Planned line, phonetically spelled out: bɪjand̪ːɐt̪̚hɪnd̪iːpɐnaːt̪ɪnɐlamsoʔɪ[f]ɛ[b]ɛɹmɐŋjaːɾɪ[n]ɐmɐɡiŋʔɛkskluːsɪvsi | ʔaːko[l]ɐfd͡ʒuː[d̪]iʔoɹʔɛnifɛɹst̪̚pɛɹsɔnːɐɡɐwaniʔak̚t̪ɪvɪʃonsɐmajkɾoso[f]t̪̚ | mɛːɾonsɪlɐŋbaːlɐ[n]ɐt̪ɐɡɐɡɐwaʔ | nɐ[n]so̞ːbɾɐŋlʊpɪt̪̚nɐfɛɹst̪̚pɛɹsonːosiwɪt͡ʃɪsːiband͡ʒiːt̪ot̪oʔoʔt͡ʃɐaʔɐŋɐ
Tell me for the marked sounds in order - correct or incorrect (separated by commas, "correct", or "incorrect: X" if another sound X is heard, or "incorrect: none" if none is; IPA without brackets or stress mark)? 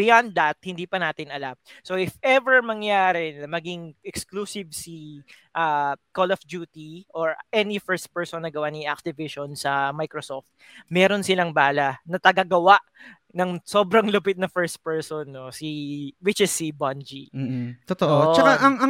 correct, incorrect: v, correct, correct, incorrect: t̪, correct, correct, incorrect: ŋ